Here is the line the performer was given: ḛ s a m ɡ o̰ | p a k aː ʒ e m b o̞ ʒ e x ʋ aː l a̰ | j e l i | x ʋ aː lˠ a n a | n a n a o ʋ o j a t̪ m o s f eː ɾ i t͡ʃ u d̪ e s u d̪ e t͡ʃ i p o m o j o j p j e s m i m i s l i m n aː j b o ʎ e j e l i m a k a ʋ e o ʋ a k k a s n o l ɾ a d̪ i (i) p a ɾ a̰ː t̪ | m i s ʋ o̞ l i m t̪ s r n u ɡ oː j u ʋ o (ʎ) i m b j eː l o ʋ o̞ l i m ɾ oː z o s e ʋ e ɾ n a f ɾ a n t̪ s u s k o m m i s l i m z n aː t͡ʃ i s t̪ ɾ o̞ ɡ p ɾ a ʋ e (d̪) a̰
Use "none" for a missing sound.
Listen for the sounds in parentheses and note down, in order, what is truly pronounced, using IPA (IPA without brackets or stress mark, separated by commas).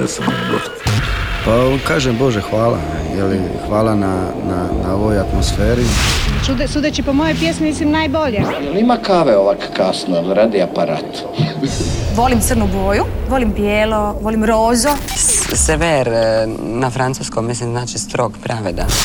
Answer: a, l, d̪